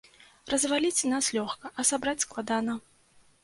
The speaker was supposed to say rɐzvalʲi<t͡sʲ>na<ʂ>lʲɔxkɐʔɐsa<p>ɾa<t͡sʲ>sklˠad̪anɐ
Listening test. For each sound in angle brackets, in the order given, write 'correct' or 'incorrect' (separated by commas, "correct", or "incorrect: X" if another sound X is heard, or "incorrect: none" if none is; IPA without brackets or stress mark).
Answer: correct, incorrect: s, incorrect: b, correct